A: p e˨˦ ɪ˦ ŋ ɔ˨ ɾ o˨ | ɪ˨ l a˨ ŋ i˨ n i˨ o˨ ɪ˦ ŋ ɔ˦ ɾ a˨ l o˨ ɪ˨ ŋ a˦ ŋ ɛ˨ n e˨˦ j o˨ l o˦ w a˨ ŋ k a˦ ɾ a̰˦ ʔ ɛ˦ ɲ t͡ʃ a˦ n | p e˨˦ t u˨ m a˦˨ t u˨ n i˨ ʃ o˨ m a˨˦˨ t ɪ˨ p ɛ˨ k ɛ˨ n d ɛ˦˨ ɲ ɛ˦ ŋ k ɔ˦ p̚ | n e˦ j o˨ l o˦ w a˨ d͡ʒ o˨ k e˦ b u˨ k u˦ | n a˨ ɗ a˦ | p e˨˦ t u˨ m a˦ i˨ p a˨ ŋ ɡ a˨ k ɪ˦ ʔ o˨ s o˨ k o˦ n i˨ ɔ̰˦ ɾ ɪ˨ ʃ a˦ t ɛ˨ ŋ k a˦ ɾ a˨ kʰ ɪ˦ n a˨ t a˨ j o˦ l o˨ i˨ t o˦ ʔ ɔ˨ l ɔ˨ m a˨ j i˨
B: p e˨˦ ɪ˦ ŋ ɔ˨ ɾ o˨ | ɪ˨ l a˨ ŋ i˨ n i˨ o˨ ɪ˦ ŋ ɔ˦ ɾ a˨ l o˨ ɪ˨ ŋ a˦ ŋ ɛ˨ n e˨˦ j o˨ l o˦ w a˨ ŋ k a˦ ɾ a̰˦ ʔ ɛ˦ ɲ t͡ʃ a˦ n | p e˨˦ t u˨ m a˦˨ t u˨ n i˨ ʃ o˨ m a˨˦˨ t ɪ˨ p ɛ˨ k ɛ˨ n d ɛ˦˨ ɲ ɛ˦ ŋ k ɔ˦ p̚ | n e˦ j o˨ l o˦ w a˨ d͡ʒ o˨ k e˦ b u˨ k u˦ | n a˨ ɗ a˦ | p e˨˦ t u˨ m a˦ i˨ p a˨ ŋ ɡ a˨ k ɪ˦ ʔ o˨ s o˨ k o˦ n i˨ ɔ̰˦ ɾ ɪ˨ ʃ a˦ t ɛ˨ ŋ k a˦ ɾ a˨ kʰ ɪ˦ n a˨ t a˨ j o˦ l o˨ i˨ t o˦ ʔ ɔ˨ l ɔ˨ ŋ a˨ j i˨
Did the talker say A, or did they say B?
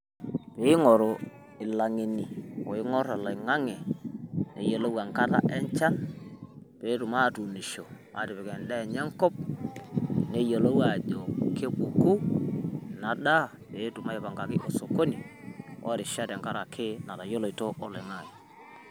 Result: B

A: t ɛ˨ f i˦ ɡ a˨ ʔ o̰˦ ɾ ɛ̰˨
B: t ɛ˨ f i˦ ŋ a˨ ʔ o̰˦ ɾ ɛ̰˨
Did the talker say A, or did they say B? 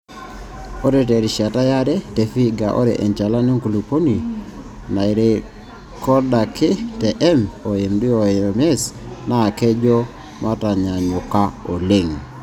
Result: A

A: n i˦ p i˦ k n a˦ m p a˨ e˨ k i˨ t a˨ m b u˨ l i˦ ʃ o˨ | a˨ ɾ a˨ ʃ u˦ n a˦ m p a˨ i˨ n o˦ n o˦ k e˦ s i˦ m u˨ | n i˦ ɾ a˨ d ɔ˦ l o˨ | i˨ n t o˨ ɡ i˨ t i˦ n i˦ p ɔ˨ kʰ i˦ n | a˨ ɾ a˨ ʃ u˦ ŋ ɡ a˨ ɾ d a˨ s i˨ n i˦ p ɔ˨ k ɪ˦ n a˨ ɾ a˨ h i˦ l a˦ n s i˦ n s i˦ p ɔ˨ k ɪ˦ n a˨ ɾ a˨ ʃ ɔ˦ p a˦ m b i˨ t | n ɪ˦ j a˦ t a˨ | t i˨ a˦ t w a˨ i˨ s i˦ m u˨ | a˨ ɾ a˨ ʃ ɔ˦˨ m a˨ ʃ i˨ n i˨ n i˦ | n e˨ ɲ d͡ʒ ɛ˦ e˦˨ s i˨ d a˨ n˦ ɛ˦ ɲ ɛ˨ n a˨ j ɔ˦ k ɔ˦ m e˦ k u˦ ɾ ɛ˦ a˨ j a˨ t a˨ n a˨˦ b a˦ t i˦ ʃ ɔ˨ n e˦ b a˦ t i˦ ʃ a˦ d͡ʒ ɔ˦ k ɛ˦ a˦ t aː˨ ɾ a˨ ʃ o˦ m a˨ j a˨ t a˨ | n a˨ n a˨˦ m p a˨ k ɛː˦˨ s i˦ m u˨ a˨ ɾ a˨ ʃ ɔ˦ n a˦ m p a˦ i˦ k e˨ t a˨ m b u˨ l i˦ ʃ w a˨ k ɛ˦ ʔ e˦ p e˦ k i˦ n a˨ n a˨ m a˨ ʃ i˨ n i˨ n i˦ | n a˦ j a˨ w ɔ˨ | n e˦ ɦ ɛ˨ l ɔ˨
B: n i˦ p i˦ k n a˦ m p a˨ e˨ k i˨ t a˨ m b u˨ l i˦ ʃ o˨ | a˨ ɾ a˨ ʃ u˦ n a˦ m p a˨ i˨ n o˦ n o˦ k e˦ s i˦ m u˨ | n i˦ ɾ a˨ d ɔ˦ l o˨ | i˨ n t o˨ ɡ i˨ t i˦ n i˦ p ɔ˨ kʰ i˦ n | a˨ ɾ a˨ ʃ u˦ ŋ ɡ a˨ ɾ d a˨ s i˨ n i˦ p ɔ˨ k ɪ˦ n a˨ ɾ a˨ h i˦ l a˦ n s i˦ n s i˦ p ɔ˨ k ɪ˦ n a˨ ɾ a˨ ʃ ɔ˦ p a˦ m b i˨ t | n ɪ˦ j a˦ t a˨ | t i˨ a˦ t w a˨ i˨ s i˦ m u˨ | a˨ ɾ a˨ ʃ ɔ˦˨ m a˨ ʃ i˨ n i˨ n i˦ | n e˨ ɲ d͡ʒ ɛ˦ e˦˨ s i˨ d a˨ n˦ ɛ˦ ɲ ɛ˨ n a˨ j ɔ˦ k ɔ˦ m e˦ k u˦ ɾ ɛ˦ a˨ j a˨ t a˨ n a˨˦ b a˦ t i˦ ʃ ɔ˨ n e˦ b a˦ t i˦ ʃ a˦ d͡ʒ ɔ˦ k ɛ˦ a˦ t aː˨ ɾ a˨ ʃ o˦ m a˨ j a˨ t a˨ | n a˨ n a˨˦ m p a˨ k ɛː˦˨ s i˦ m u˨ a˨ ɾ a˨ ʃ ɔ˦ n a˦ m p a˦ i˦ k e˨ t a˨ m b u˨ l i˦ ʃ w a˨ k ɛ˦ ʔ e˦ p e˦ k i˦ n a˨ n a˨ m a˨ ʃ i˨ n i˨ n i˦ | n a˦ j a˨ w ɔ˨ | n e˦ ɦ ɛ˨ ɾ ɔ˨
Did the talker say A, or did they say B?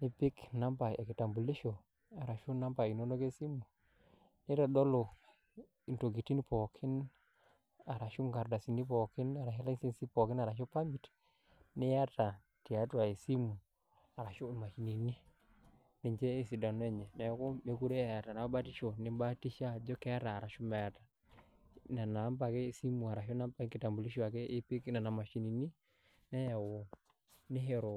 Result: B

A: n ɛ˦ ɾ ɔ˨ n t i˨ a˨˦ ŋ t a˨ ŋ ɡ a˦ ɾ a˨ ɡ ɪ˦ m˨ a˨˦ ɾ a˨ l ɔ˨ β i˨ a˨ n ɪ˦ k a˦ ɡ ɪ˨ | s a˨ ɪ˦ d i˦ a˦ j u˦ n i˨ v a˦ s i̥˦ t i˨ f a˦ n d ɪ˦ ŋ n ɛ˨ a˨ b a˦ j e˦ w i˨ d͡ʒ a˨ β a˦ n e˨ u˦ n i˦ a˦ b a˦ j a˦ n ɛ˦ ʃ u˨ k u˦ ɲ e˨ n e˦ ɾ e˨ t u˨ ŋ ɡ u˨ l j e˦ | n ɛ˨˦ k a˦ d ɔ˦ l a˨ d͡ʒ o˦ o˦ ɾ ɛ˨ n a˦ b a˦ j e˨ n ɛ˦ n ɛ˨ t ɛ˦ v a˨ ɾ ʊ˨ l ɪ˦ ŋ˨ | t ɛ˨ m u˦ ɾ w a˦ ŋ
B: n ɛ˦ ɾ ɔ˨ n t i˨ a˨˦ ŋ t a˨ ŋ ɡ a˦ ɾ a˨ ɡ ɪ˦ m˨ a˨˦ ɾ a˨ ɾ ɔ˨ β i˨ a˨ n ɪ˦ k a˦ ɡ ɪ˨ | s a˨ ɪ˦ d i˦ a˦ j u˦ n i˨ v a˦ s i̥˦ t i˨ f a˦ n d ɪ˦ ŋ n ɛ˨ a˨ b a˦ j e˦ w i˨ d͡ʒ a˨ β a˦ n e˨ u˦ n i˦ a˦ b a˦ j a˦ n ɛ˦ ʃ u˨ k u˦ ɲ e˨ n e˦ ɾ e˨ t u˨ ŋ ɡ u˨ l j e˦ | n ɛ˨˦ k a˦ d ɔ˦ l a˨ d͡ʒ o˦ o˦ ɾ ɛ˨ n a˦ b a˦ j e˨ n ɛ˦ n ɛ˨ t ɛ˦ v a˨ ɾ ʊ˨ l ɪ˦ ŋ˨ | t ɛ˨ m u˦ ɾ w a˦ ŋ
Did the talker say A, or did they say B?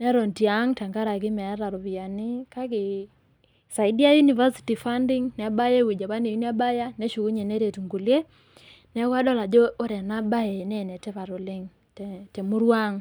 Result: B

